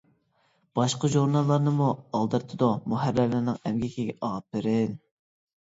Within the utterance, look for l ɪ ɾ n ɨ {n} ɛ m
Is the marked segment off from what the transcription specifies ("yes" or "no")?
yes